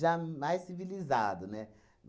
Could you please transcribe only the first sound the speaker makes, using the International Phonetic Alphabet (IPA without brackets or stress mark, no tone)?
ʒ